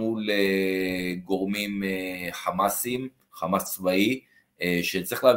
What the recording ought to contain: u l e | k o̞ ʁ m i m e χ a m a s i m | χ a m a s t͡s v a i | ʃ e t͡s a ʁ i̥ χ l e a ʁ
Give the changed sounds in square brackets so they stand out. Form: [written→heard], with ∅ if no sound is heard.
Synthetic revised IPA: u l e | [k→ɡ] o̞ ʁ m i m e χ a m a s i m | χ a m a s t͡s v a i | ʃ e t͡s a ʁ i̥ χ l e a [ʁ→v]